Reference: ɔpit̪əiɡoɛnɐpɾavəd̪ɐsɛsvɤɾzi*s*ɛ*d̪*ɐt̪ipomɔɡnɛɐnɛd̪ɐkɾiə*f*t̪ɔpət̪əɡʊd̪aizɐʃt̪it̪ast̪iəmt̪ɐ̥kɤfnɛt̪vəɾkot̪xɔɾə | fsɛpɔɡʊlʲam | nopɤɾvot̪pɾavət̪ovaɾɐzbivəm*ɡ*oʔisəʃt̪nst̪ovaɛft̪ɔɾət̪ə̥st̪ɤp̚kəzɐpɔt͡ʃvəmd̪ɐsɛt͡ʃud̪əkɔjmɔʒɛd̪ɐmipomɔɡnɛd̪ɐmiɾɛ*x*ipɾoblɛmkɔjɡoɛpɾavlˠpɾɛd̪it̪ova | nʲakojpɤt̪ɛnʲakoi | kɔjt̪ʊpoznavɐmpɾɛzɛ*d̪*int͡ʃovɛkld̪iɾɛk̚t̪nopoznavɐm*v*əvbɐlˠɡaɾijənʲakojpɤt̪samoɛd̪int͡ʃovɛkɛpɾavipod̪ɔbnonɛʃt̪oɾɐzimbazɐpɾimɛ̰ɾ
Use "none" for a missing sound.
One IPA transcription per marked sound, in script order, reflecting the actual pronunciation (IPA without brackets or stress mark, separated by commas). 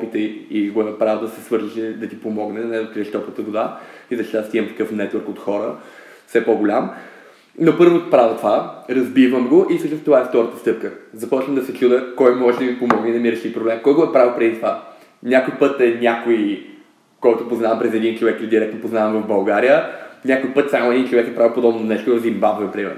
ʃ, d̪, ʃ, ɡ, ʃ, d̪, v